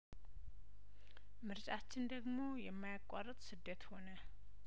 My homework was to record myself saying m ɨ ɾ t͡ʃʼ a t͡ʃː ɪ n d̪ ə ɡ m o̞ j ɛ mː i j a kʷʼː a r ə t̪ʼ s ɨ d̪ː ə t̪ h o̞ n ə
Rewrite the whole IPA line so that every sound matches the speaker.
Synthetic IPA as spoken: m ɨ ɾ t͡ʃʼ a t͡ʃː ɪ n d̪ ə ɡ m o̞ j ɛ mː a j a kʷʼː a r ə t̪ʼ s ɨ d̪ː ə t̪ h o̞ n ə